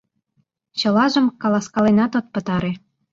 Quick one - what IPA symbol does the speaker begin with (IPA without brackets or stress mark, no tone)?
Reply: t͡ɕ